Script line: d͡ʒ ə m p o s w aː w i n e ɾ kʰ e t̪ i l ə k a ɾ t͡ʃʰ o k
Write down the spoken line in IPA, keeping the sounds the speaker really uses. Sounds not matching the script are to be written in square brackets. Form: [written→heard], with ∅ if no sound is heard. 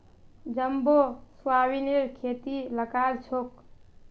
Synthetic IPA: d͡ʒ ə m [p→b] o s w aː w i n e ɾ kʰ e t̪ i l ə k a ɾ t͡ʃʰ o k